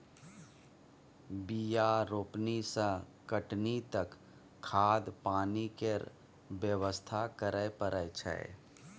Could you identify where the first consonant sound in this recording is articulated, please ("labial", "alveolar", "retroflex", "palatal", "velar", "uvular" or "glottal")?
labial